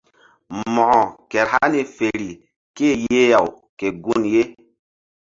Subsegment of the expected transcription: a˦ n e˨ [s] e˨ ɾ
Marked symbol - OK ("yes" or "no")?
no